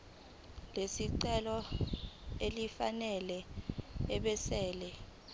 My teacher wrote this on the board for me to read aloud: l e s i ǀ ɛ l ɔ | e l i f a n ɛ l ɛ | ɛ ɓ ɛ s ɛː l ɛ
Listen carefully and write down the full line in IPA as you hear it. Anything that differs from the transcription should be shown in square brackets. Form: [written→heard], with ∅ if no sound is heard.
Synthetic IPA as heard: l e s i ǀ ɛ l ɔ | e l i f a n ɛ l ɛ | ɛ ɓ ɛ s ɛː l ɛ